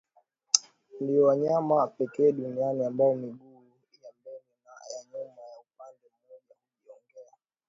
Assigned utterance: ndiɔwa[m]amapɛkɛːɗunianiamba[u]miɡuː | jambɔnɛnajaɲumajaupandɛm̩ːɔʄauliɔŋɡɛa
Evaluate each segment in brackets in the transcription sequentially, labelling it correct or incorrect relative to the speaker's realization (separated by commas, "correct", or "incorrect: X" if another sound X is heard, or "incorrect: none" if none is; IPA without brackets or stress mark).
incorrect: ɲ, incorrect: ɔ